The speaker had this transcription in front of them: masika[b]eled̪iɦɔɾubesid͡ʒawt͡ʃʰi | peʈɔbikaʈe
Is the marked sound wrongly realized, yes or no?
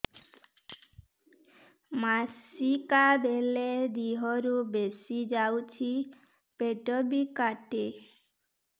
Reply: no